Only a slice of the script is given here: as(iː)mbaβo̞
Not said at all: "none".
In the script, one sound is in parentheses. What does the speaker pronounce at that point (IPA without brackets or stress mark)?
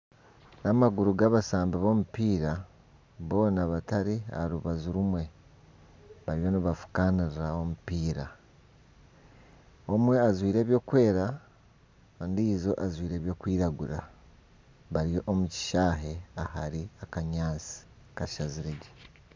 aː